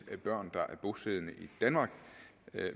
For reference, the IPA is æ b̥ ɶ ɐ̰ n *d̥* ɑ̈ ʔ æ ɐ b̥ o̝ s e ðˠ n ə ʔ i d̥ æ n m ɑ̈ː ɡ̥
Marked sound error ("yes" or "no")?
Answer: no